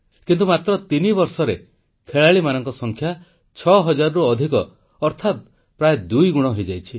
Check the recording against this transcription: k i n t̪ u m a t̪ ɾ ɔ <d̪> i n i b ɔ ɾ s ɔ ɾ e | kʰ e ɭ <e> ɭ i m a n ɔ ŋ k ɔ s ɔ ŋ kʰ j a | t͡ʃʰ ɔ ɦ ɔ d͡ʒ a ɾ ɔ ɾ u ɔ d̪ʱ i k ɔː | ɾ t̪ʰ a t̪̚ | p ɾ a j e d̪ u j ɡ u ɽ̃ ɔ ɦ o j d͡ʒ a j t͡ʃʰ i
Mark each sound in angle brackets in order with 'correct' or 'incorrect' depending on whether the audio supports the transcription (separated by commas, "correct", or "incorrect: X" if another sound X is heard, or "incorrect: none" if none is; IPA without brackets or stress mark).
incorrect: t̪, incorrect: a